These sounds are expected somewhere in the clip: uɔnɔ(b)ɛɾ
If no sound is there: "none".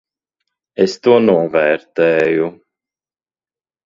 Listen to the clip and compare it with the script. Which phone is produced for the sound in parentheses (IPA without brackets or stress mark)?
v